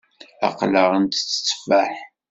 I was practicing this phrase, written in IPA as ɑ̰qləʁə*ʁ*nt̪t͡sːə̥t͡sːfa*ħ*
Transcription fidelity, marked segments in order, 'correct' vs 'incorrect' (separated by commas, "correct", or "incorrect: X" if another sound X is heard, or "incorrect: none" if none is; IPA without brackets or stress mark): incorrect: none, correct